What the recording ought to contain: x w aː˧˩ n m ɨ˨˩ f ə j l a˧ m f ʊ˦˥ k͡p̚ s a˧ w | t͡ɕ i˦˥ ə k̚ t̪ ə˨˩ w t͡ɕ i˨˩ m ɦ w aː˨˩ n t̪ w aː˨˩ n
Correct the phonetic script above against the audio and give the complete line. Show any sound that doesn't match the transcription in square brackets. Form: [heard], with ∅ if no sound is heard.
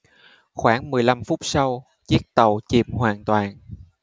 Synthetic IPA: x w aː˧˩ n m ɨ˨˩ [∅] ə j l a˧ m f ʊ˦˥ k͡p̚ s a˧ w | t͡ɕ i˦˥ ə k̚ t̪ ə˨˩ w t͡ɕ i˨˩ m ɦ w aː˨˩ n t̪ w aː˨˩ n

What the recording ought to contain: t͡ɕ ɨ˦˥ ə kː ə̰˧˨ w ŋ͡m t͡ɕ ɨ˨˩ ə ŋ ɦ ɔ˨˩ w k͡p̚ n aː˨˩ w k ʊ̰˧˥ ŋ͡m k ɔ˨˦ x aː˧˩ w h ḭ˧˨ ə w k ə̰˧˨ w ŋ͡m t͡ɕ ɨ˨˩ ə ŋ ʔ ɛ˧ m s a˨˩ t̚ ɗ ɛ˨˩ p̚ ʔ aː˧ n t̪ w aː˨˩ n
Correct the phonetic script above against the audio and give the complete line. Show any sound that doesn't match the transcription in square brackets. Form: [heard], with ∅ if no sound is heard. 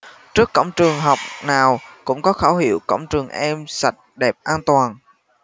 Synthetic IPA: t͡ɕ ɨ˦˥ ə kː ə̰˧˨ w ŋ͡m t͡ɕ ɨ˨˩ ə ŋ ɦ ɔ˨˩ w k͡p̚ n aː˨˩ w k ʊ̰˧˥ ŋ͡m k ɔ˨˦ x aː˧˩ w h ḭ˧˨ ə w k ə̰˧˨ w ŋ͡m t͡ɕ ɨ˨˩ ə ŋ ʔ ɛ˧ m s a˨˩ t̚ ɗ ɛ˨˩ p̚ ʔ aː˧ n t̪ w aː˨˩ n

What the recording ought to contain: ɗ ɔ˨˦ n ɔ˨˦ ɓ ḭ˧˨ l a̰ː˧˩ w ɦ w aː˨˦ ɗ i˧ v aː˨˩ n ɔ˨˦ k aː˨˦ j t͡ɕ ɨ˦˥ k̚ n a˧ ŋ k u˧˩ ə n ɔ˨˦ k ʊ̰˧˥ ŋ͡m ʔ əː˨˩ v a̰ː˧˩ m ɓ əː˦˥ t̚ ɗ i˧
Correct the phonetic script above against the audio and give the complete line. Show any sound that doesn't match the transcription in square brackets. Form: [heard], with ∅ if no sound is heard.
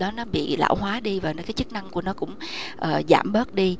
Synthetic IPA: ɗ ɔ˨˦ n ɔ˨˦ ɓ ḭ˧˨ l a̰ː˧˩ w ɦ w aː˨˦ ɗ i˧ v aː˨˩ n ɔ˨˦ k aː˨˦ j t͡ɕ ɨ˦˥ k̚ n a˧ ŋ k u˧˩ ə n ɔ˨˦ k ʊ̰˧˥ ŋ͡m ʔ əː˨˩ [z] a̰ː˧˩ m ɓ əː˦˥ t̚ ɗ i˧

